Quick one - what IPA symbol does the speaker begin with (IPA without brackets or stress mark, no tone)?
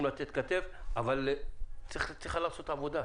m